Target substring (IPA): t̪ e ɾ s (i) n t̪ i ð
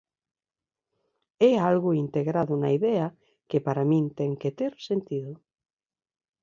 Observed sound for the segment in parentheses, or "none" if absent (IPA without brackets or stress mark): e